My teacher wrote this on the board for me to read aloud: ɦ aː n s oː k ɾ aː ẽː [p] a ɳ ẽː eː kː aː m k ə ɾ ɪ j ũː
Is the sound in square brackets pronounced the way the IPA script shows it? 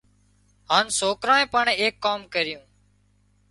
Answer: yes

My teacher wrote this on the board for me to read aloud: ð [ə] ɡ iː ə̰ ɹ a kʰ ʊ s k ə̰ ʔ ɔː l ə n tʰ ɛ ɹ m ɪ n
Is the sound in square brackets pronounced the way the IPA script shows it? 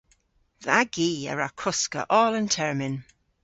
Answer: no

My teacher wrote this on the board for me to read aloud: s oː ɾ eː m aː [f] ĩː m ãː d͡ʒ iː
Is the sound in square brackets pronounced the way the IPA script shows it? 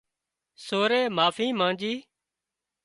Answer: yes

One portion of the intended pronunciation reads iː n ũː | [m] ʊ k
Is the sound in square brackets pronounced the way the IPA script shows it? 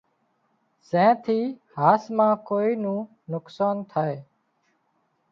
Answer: no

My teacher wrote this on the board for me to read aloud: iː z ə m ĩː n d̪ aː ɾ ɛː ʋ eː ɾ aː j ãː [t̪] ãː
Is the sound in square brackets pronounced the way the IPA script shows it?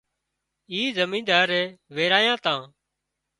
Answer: yes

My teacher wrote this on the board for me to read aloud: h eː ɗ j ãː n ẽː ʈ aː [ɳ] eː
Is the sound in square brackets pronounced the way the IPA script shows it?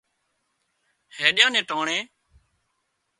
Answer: yes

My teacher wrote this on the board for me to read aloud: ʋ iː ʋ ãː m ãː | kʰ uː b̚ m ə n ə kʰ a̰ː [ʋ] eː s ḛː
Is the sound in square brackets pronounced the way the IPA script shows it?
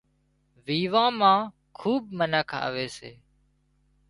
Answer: yes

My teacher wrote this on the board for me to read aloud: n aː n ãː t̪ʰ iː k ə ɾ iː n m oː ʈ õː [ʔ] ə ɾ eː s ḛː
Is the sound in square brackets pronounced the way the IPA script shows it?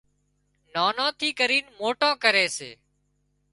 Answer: no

